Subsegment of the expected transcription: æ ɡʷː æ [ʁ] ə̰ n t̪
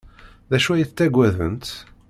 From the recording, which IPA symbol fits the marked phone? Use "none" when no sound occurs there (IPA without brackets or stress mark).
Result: ð